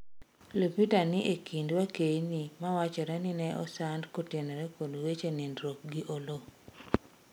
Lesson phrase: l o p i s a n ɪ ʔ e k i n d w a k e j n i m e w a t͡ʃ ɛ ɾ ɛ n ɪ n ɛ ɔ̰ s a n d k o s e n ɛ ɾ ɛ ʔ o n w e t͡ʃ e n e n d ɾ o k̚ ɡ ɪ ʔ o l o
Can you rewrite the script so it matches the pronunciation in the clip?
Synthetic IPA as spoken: l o p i t a n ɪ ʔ e k i n d w a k e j n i m a w a t͡ʃ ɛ ɾ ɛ n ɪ n ɛ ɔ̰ s a n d k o t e n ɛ ɾ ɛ k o d w e t͡ʃ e n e n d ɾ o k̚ ɡ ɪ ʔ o l o